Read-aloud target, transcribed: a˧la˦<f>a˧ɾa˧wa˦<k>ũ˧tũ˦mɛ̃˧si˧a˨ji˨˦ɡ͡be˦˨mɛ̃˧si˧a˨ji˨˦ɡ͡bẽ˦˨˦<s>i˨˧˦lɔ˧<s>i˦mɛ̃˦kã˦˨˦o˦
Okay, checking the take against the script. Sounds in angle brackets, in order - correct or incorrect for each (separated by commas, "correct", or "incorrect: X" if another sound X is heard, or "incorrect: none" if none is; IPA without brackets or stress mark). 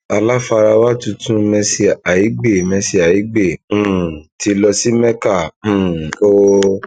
correct, incorrect: t, incorrect: t, correct